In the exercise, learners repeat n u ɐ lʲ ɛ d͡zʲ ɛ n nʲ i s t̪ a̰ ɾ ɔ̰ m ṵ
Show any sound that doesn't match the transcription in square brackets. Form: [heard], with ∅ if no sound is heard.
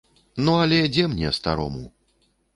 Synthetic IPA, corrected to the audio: n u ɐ lʲ ɛ d͡zʲ ɛ [m] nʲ [ɛ] s t̪ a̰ ɾ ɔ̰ m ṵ